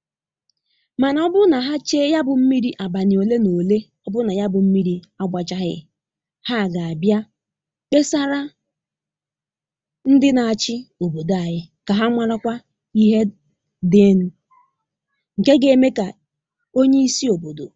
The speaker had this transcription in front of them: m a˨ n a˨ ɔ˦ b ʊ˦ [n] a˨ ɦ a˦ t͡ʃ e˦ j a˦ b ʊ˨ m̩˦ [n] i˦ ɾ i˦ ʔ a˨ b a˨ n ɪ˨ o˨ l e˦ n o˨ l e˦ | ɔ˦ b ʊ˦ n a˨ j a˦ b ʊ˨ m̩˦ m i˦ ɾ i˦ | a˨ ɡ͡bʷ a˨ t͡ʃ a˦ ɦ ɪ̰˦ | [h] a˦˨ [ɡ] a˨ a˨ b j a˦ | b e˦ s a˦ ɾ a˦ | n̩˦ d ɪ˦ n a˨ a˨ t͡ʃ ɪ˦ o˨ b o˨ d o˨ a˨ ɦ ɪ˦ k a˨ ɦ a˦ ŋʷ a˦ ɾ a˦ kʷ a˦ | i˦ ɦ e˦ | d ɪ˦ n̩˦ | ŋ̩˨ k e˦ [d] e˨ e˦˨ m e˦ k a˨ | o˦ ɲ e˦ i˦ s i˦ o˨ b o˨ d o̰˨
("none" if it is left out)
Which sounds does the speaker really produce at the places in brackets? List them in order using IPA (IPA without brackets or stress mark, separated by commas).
n, m, h, ɡ, ɡ